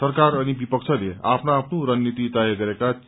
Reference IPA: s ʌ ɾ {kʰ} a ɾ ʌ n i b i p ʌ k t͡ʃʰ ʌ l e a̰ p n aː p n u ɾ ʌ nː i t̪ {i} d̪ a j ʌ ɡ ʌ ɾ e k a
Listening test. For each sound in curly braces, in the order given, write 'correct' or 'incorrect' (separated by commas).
incorrect, correct